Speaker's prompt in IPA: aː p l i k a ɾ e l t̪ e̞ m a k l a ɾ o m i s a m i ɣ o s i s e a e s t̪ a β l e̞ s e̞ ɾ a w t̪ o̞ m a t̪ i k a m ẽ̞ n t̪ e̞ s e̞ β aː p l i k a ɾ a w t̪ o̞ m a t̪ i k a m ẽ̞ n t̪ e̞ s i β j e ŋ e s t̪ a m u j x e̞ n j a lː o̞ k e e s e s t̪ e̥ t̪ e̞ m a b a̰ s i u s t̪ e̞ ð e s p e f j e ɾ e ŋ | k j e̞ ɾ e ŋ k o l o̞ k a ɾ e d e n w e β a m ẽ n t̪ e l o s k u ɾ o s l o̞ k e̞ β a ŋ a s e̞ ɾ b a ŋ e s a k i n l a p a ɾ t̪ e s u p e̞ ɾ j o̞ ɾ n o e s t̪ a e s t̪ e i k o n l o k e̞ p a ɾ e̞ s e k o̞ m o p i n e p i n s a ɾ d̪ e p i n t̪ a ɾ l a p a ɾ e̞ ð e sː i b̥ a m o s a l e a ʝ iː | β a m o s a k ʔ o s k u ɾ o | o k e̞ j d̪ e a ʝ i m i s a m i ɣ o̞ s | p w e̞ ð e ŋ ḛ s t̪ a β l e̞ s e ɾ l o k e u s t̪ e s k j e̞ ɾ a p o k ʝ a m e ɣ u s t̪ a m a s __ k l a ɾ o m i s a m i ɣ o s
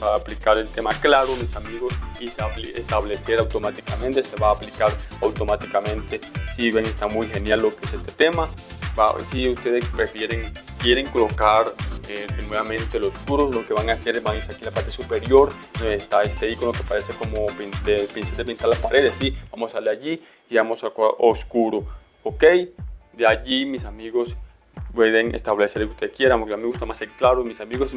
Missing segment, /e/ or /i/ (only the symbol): e